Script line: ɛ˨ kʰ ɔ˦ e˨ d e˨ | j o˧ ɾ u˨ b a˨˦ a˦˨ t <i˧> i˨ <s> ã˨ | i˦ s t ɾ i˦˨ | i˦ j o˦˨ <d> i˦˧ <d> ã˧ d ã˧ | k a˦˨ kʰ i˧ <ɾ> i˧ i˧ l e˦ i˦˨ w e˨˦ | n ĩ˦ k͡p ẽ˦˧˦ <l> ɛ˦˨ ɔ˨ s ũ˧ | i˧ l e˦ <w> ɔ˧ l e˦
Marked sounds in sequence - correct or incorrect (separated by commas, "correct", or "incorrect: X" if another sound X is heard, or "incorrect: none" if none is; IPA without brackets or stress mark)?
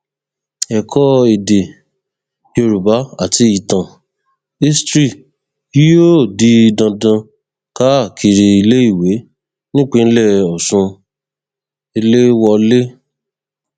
correct, incorrect: t, correct, correct, correct, correct, correct